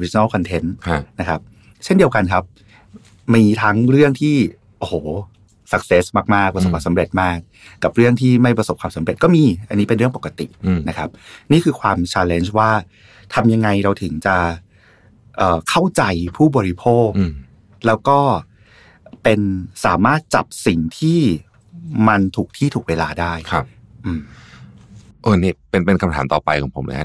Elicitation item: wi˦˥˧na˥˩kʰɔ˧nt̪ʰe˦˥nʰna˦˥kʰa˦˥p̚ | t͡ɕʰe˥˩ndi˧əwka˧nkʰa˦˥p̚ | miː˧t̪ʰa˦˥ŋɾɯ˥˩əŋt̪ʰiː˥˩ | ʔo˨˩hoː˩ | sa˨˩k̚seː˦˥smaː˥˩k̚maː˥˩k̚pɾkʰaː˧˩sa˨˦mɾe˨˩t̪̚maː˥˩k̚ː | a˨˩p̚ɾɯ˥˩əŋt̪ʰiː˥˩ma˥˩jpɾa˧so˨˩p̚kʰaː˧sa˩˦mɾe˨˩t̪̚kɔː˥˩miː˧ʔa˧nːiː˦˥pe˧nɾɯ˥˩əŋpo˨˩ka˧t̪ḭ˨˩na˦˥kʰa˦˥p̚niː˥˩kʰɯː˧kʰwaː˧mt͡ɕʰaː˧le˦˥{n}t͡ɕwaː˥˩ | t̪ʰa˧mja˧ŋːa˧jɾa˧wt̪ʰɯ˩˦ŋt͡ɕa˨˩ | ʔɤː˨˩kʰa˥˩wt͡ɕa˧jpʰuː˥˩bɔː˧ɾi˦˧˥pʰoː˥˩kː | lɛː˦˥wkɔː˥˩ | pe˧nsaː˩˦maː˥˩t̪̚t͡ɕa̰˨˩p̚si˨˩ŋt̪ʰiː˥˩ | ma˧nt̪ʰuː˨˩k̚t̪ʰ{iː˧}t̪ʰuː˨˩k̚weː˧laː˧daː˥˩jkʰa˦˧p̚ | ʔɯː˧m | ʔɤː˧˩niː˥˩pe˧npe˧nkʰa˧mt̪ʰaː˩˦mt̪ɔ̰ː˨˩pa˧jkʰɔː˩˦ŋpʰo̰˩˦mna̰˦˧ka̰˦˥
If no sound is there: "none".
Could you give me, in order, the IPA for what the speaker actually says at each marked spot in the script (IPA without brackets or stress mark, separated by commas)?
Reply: n, iː˥˩